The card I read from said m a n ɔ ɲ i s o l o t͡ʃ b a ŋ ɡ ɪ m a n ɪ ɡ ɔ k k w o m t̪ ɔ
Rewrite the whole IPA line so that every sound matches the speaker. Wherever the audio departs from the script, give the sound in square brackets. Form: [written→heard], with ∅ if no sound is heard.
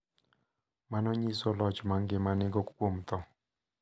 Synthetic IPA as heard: m a n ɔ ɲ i s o l [o→ɔ] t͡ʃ [b→m] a ŋ ɡ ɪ m a n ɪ ɡ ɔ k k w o m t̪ ɔ